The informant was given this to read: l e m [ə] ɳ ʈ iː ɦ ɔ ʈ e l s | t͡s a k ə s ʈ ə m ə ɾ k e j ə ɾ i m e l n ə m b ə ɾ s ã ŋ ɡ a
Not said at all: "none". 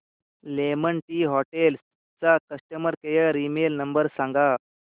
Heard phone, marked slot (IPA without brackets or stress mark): ə